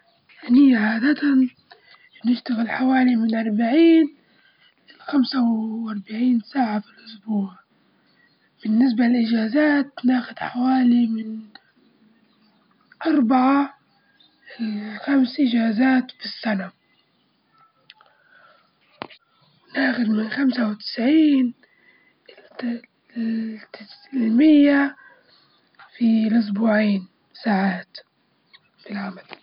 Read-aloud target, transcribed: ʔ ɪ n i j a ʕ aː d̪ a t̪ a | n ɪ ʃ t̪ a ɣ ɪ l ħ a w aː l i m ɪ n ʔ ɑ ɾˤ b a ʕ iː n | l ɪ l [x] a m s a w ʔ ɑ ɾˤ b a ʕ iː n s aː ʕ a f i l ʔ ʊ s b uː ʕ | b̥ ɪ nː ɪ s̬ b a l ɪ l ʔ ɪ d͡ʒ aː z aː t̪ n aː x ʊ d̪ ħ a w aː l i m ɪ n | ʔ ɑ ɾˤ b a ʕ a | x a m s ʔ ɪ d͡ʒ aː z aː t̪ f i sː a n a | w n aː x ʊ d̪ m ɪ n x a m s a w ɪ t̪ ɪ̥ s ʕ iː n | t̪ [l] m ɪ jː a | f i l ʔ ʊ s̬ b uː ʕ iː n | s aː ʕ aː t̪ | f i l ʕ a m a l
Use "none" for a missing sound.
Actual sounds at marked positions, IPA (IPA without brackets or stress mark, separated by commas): x, l